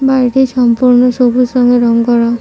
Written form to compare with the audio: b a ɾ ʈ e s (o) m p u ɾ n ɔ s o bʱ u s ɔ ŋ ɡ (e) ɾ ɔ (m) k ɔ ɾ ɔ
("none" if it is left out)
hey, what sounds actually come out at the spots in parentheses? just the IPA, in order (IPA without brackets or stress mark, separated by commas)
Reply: ɔ, e, ŋ